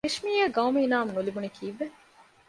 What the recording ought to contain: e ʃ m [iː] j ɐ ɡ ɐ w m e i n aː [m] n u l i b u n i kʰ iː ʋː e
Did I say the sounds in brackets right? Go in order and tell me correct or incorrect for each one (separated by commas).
correct, correct